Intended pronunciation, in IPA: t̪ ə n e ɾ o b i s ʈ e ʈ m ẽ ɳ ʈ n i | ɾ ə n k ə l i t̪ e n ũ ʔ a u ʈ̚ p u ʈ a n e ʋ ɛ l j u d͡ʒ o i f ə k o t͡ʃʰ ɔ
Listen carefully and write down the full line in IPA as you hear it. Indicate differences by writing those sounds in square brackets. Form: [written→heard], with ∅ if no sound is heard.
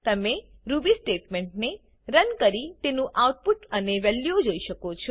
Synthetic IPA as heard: t̪ ə [n→m] e ɾ [o→u] b i s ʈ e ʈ m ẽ ɳ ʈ n [i→e] | ɾ ə n k ə [l→ɾ] i t̪ e n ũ ʔ a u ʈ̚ p u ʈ [a→ə] n e ʋ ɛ l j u d͡ʒ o i [f→ʃ] ə k o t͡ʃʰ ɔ